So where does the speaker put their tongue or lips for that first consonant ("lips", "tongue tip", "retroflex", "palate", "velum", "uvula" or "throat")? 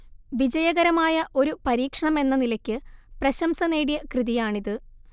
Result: lips